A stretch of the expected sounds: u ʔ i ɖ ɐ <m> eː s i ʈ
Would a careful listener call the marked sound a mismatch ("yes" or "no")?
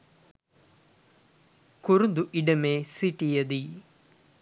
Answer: no